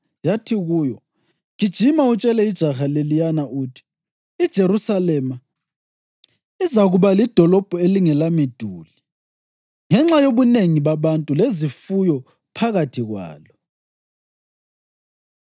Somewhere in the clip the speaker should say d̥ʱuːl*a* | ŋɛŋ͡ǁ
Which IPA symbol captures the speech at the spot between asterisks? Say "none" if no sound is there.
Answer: i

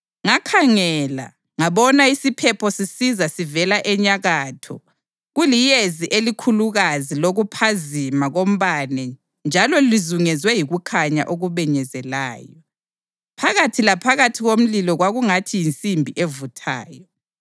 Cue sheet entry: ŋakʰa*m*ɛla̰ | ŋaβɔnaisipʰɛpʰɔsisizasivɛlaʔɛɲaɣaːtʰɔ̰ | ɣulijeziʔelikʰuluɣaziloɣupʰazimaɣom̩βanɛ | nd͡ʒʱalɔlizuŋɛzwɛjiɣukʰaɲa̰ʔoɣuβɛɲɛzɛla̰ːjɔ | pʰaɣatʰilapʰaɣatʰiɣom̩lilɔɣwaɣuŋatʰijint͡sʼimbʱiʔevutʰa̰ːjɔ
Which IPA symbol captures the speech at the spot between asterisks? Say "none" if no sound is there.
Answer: ŋ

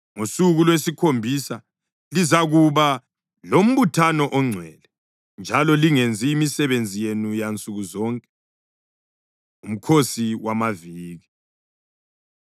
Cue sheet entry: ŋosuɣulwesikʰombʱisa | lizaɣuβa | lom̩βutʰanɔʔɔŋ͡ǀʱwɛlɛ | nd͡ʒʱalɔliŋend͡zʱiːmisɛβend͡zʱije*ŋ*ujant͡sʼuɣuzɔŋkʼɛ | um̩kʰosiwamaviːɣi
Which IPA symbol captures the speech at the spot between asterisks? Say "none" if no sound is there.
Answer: n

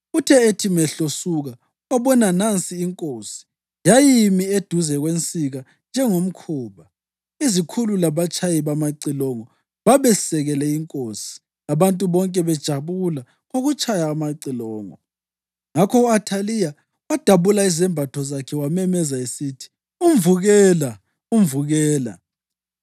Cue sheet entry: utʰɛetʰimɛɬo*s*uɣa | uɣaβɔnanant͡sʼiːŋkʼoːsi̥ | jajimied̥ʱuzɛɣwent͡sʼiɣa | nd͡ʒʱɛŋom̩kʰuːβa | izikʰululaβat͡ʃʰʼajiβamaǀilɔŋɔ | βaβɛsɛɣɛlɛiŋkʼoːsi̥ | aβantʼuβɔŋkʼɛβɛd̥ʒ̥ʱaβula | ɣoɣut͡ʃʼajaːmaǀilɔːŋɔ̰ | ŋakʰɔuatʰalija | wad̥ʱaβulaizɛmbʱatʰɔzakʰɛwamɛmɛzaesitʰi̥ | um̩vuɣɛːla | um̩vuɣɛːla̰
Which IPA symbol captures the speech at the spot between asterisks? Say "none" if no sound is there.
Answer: s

